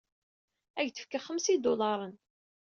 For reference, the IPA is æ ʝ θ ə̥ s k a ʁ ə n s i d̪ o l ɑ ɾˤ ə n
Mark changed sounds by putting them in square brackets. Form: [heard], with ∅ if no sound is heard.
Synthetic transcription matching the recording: æ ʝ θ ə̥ [f] k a [χ] ə [m] s i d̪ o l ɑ ɾˤ ə n